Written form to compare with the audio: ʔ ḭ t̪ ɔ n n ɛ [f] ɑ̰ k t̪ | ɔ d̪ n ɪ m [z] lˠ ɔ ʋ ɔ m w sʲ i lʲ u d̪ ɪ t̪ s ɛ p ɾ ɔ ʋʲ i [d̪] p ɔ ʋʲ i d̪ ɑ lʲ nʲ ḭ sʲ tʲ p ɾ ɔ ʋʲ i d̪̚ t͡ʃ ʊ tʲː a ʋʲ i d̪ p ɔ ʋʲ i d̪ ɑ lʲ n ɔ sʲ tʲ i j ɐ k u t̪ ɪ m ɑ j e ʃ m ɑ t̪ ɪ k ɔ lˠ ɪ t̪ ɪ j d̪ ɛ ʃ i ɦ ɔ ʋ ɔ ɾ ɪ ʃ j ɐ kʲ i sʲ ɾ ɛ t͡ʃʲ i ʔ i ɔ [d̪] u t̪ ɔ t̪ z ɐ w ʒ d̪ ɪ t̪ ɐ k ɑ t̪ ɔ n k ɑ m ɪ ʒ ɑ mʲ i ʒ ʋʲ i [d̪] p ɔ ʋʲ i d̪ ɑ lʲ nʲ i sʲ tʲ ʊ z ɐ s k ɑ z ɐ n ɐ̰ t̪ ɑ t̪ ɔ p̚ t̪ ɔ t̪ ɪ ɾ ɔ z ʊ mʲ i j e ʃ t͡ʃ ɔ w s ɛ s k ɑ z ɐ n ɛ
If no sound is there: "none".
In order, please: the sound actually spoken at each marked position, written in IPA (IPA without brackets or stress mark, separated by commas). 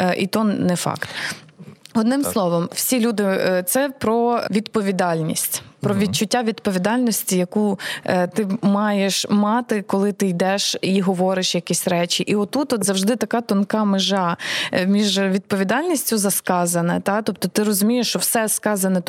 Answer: f, s, d̪, t̪, d̪